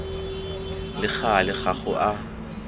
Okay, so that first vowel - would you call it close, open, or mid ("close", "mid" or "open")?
close